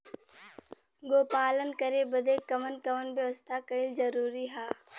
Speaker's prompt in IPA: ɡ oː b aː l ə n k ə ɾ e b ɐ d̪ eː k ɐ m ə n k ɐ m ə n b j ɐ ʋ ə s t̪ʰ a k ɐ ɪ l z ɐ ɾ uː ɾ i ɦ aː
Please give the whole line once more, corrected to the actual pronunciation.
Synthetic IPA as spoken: ɡ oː p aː l ə n k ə ɾ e b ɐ d̪ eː k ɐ m ə n k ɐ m ə n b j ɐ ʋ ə s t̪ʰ a k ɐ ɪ l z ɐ ɾ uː ɾ i ɦ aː